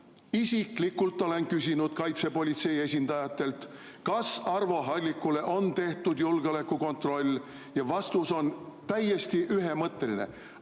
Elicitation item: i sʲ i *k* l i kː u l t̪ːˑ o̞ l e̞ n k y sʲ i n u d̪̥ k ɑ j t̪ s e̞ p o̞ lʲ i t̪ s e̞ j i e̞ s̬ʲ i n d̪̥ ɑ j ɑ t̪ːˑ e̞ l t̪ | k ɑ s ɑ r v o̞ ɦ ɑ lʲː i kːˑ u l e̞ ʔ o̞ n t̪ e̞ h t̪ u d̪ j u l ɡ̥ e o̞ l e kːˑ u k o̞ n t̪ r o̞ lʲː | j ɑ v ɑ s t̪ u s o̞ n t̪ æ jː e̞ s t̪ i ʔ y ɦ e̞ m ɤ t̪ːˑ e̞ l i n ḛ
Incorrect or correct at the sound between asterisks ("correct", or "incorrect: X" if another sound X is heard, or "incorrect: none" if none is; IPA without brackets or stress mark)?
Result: correct